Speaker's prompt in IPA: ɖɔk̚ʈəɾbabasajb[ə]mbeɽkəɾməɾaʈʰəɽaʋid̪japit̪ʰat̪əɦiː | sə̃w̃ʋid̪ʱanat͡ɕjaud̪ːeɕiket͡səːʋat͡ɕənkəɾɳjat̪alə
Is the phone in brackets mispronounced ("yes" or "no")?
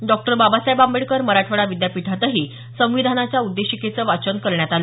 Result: yes